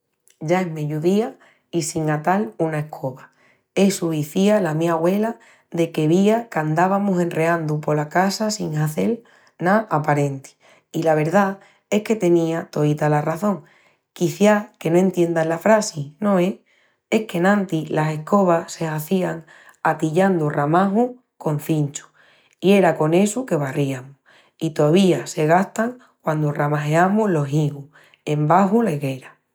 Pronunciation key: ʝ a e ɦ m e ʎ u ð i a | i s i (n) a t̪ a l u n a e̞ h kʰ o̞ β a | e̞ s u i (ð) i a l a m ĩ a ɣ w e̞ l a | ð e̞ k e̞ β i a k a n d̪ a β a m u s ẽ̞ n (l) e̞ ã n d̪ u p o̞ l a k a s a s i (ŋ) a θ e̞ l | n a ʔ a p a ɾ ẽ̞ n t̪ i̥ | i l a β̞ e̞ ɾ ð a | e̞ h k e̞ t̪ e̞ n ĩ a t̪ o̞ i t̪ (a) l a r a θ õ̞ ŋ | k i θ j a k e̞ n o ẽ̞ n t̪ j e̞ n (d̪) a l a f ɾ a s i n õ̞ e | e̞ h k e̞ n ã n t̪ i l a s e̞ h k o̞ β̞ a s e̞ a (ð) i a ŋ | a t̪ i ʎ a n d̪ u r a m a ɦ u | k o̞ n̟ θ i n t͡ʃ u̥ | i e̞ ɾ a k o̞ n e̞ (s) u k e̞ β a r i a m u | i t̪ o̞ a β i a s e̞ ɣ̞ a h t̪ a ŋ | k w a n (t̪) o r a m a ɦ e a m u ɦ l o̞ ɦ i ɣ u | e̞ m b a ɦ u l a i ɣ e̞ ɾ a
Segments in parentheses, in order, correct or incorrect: incorrect, incorrect, incorrect, correct, correct, correct, incorrect, correct, incorrect

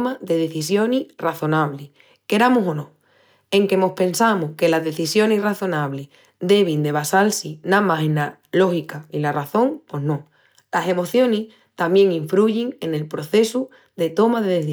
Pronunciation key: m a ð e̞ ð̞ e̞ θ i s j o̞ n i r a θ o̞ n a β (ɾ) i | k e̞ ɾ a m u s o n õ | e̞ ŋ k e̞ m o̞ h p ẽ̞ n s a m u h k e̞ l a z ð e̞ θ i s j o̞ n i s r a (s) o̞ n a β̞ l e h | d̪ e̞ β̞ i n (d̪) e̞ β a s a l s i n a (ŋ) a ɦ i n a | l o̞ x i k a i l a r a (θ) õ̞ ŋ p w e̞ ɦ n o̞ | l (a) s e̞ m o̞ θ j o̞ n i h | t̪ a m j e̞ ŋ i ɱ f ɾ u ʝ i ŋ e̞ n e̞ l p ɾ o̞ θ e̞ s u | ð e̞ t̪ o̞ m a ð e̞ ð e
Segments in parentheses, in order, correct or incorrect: incorrect, incorrect, correct, incorrect, correct, correct

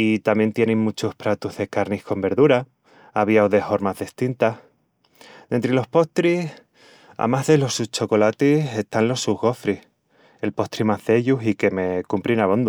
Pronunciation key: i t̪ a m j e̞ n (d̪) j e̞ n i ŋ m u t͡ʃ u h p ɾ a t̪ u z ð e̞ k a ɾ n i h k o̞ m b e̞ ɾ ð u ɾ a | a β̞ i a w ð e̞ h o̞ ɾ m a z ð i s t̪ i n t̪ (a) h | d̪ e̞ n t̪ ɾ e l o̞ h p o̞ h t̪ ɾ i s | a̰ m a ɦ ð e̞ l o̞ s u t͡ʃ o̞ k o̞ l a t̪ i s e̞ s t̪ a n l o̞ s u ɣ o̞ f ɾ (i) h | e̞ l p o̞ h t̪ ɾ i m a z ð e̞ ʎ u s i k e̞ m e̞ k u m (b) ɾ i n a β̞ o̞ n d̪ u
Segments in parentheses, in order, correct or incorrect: incorrect, correct, correct, incorrect

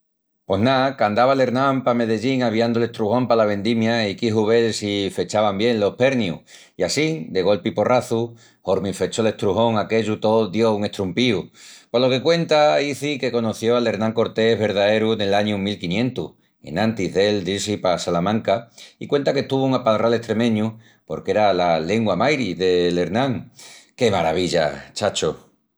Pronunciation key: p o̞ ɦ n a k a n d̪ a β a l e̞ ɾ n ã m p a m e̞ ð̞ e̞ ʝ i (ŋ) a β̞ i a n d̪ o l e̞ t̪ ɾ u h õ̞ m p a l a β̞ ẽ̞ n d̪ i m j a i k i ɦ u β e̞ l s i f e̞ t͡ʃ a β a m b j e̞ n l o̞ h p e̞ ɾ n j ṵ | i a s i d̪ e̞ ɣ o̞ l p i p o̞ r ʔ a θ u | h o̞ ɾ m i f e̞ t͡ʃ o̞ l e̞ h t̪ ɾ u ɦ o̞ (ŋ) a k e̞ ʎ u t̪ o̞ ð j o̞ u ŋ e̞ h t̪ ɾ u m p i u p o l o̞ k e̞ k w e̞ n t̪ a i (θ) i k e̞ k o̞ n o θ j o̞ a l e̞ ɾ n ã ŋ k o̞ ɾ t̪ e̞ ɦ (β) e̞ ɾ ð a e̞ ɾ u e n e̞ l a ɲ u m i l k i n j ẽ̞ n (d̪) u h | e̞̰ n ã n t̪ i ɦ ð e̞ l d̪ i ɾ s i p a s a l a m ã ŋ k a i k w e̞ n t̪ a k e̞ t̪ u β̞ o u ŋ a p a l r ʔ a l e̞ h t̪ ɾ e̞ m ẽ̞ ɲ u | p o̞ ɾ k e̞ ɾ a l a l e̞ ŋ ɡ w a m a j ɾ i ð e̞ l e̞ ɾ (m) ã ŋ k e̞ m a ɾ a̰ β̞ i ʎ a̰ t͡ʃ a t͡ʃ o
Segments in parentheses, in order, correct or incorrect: correct, correct, correct, correct, incorrect, incorrect

